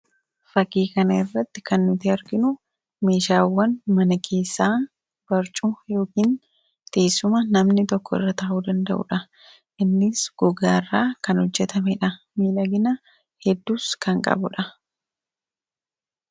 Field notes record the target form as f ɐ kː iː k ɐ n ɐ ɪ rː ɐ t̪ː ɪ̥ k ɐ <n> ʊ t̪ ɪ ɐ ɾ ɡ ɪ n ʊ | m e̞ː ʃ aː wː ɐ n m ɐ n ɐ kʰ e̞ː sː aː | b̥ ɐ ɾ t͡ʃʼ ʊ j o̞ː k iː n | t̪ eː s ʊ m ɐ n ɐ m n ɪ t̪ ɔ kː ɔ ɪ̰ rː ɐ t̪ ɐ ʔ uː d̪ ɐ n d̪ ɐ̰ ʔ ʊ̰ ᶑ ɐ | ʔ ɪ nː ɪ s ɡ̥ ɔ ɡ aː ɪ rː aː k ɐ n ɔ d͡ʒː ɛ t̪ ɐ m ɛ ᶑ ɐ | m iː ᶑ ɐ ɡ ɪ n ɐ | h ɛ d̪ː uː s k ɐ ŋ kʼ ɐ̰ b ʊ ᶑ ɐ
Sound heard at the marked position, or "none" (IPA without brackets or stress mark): nː